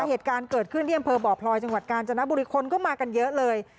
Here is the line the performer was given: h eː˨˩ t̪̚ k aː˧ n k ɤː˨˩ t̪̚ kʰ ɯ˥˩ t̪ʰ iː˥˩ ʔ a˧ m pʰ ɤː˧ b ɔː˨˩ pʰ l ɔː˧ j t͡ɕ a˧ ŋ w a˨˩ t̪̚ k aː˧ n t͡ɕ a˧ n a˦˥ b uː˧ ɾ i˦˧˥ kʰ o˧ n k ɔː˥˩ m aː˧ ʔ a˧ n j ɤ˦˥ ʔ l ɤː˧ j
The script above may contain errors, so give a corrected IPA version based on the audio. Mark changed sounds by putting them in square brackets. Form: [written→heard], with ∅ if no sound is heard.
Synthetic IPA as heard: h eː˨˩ t̪̚ k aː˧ n k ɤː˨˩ t̪̚ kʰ ɯ˥˩ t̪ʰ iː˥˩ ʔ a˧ m pʰ ɤː˧ b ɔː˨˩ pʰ l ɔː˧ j t͡ɕ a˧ ŋ w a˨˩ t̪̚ k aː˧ n t͡ɕ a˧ n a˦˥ b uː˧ ɾ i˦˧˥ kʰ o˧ n k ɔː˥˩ m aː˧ [ʔ→k] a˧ n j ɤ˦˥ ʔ l ɤː˧ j